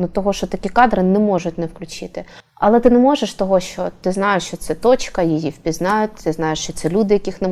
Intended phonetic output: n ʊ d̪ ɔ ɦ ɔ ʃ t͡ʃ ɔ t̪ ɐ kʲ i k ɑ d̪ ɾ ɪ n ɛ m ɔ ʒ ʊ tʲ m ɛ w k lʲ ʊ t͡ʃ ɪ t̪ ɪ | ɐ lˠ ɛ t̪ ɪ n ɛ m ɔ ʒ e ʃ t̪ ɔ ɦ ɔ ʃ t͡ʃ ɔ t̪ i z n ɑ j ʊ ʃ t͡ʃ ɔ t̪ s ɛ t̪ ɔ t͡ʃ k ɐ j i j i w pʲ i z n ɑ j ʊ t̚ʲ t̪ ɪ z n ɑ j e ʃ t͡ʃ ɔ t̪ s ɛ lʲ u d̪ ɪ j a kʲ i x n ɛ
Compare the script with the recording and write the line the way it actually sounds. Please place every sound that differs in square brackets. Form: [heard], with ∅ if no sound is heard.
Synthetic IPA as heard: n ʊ [t̪] ɔ ɦ ɔ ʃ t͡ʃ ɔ t̪ ɐ kʲ i k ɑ d̪ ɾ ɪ n ɛ m ɔ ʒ ʊ tʲ [n] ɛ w k lʲ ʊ t͡ʃ ɪ t̪ ɪ | ɐ lˠ ɛ t̪ ɪ n ɛ m ɔ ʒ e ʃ t̪ ɔ ɦ ɔ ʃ t͡ʃ ɔ t̪ [ɪ] z n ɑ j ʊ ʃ t͡ʃ ɔ t̪ s ɛ t̪ ɔ t͡ʃ k ɐ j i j i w pʲ i z n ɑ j ʊ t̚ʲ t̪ ɪ z n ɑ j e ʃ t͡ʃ ɔ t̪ s ɛ lʲ u d̪ ɪ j [ɐ] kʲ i x n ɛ